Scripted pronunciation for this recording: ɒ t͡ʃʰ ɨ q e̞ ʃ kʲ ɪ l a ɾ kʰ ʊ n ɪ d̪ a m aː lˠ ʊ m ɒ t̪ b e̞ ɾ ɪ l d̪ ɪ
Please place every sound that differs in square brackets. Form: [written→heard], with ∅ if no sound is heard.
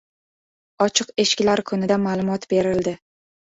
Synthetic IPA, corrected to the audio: ɒ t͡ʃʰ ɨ q e̞ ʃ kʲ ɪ l a ɾ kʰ ʊ n ɪ d̪ a m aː lˠ ʊ m ɒ t̪ b e̞ ɾ ɪ l d̪ ɪ